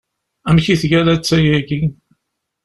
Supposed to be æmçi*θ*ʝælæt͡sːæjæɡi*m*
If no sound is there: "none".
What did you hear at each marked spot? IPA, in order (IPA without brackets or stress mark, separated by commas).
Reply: θ, none